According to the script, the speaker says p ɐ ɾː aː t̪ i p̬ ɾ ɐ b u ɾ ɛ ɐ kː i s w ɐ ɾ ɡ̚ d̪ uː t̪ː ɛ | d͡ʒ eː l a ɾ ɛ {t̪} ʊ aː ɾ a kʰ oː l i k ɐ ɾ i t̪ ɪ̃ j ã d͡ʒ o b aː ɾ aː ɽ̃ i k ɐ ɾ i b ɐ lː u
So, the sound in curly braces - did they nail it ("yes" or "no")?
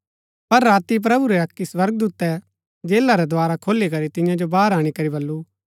no